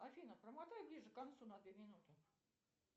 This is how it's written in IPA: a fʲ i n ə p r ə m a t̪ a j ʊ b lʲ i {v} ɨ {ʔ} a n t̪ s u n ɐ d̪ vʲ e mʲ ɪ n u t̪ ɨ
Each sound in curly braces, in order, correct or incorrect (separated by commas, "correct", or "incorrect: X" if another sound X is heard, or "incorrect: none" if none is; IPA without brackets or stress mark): incorrect: ʐ, incorrect: k